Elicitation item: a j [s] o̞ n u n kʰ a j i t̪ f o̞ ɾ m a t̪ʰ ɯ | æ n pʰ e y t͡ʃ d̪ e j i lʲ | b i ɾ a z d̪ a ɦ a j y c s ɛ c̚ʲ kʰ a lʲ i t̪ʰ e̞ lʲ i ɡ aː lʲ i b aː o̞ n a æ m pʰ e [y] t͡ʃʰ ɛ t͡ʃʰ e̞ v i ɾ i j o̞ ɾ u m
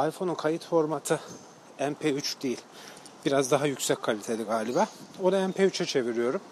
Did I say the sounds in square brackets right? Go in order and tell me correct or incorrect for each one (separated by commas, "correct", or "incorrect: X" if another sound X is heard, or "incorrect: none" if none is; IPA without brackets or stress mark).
incorrect: f, correct